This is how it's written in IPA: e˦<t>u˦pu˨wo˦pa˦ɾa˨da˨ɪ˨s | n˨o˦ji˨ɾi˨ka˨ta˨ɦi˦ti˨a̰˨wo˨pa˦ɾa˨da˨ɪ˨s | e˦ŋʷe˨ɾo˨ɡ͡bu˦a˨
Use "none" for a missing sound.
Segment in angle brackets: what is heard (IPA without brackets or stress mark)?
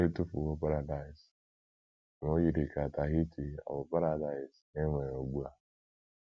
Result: t